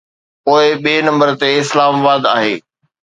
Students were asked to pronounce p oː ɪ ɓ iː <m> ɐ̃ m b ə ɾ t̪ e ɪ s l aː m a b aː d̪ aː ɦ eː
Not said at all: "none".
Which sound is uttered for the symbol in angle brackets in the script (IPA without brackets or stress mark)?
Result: n